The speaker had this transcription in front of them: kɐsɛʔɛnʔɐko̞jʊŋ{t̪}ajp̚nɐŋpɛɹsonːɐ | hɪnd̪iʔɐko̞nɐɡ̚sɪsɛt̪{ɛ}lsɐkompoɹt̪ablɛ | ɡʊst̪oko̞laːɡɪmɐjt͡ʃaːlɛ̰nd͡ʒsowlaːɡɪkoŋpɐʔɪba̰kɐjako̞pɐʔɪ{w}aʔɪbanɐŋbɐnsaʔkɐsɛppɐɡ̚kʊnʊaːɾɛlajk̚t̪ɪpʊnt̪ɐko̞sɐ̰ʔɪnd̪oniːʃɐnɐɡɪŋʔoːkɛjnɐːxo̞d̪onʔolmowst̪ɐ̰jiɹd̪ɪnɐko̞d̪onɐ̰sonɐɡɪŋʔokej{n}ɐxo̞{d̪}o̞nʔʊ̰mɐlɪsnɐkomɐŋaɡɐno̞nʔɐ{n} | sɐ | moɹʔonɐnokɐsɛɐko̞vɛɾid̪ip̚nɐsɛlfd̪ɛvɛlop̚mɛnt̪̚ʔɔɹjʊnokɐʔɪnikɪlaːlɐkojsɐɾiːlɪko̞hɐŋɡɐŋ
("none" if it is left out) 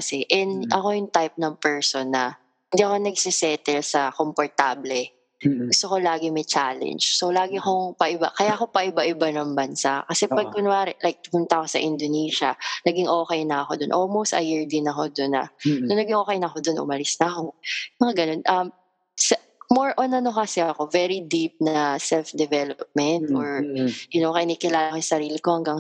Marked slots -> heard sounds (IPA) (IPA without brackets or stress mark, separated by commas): t̪, ɛ, b, n, d̪, m